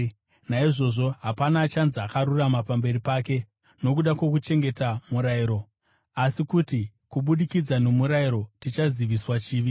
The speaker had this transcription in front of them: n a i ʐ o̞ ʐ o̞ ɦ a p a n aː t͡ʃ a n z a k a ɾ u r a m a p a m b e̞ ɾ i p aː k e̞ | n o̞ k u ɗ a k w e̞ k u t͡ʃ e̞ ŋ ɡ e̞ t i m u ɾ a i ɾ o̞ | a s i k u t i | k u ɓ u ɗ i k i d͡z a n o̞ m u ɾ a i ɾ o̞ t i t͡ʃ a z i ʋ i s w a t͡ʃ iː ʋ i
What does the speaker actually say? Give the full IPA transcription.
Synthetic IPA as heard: n a i ʐ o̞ ʐ o̞ ɦ a p a n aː t͡ʃ a n z a k a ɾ u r a m a p a m b e̞ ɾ i p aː k e̞ | n o̞ k u ɗ a k w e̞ k u t͡ʃ e̞ ŋ ɡ e̞ t a m u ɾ a i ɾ o̞ | a s i k u t i | k u ɓ u ɗ i k i d͡z a n o̞ m u ɾ a i ɾ o̞ t i t͡ʃ a z i ʋ i s w a t͡ʃ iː ʋ i